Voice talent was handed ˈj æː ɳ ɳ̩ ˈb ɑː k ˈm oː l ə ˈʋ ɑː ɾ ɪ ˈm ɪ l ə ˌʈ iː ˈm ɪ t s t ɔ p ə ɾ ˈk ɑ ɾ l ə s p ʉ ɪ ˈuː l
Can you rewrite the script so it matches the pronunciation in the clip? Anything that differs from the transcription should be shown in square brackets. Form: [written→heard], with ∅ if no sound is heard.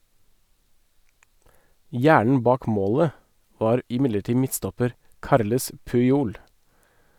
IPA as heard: ˈj æː ɳ ɳ̩ ˈb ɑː k ˈm oː l ə ˈʋ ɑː ɾ ɪ ˈm ɪ l ə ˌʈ iː ˈm ɪ t s t ɔ p ə ɾ ˈk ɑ ɾ l ə s p ʉ ɪ ˈuː l